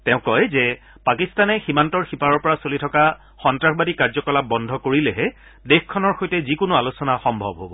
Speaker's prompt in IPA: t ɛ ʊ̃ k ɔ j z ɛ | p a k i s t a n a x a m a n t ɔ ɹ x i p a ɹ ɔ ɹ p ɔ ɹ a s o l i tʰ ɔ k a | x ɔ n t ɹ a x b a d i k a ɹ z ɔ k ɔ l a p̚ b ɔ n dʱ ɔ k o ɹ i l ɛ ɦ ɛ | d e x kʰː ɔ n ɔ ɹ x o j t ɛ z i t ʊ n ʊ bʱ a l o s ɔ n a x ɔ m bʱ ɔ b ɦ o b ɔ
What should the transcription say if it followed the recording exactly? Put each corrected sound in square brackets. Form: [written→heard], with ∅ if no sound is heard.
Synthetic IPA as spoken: t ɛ ʊ̃ k ɔ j z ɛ | p a k i s t a n [a→ɛ] x [a→i] m a n t ɔ ɹ x i p a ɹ ɔ ɹ p ɔ ɹ a s o l i tʰ ɔ k a | x ɔ n t ɹ a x b a d i k a ɹ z ɔ k ɔ l a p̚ b ɔ n dʱ ɔ k o ɹ i l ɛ ɦ ɛ | d e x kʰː ɔ n ɔ ɹ x o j t ɛ z i [t→k] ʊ n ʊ [bʱ→∅] a l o s ɔ n a x ɔ m bʱ ɔ b ɦ o b ɔ